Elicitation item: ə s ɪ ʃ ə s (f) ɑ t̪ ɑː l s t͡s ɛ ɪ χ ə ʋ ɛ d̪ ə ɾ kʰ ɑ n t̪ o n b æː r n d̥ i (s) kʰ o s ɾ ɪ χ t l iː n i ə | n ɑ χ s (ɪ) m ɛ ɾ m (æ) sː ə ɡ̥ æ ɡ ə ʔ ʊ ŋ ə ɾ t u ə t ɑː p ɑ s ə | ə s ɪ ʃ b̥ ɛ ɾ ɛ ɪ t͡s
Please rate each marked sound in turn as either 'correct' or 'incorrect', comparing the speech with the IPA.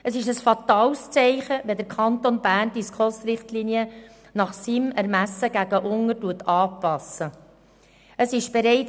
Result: correct, correct, incorrect: i, correct

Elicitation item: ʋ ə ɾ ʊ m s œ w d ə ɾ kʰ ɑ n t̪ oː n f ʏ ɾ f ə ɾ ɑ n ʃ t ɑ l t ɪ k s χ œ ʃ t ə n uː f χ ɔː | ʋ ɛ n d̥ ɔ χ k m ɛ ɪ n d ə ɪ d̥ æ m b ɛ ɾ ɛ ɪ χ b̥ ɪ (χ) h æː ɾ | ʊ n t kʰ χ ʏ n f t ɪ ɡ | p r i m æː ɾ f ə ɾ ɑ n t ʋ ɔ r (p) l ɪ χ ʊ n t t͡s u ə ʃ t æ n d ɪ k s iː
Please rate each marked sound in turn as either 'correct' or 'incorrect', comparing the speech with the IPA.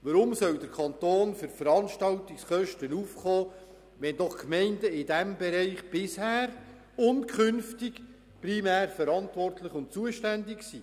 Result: incorrect: s, incorrect: t

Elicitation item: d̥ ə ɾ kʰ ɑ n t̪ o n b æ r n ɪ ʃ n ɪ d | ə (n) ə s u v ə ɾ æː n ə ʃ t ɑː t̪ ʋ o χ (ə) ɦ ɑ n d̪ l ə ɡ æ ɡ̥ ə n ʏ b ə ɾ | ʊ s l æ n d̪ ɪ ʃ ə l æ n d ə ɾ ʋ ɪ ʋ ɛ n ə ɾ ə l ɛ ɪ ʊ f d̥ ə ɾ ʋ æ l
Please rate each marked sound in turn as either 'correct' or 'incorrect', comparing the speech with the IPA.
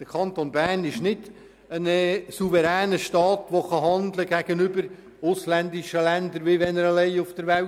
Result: correct, incorrect: ɑ

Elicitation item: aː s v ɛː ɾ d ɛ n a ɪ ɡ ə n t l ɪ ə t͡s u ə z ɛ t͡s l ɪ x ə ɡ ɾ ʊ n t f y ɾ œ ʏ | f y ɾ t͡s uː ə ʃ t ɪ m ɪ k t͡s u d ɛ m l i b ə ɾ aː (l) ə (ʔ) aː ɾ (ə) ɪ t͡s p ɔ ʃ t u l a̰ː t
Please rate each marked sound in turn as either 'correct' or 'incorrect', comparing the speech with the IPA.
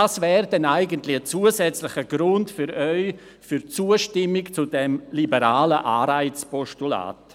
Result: correct, correct, incorrect: a

